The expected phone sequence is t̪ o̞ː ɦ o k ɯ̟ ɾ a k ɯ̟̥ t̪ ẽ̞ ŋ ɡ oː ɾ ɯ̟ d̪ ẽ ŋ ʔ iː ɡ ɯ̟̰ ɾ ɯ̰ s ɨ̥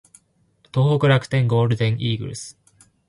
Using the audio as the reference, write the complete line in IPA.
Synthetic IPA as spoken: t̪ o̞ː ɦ o k ɯ̟ ɾ a k ɯ̟̥ t̪ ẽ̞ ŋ ɡ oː ɾ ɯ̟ d̪ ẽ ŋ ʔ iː ɡ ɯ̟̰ ɾ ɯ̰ s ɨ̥